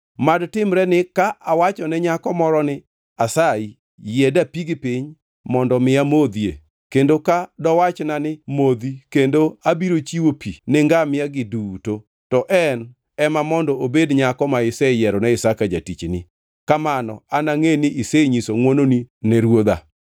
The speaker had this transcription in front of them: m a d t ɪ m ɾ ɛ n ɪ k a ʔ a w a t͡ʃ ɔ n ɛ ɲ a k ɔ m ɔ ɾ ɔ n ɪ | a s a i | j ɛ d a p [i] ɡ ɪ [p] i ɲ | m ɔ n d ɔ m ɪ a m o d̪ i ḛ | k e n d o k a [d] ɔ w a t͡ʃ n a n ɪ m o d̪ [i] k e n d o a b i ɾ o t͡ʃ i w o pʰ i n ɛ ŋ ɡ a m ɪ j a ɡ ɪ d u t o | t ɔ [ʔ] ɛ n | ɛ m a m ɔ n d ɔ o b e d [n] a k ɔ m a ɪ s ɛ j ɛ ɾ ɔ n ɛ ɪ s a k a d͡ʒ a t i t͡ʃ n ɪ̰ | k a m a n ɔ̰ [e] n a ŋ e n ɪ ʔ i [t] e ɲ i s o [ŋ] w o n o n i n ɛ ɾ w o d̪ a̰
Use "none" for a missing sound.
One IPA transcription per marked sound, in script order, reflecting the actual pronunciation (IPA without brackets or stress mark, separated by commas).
i, p, d, i, ʔ, ɲ, a, s, ŋ